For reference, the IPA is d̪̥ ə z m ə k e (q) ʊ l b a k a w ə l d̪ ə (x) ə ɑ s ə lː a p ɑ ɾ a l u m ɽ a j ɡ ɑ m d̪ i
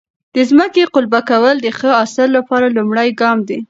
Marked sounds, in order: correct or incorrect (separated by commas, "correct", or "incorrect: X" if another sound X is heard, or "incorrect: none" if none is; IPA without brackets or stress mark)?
correct, correct